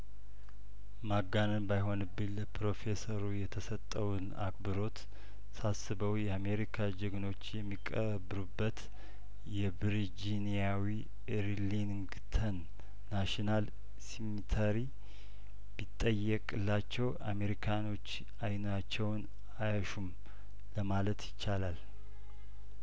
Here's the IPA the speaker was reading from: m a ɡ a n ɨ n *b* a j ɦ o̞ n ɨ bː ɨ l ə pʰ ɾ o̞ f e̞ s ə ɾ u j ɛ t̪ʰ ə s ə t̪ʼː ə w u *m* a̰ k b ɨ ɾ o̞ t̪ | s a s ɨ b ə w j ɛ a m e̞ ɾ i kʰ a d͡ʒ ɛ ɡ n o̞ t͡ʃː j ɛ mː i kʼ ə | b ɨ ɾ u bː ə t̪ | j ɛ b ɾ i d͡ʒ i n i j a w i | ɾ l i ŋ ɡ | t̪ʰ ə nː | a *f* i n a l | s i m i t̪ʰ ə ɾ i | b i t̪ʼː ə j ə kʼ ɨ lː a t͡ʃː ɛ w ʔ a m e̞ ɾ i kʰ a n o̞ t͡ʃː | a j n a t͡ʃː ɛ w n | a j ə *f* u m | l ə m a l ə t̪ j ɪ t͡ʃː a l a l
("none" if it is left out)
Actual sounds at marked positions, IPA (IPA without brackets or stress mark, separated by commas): b, n, ʃ, ʃ